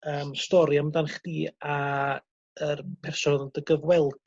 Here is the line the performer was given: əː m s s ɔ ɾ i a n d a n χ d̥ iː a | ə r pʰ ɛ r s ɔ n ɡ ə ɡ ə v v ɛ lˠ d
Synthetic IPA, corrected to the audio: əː m s t ɔ ɾ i a m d a n χ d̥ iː a | ə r pʰ ɛ r s ɔ n d ə ɡ ə v w ɛ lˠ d